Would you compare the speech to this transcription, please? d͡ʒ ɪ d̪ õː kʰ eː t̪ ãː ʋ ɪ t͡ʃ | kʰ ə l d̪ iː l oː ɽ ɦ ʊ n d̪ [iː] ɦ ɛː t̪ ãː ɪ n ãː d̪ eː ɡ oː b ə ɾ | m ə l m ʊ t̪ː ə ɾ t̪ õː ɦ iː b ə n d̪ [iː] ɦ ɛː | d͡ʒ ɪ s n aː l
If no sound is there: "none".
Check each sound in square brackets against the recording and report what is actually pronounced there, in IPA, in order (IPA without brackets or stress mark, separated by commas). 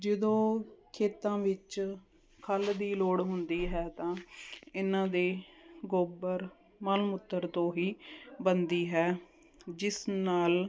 iː, iː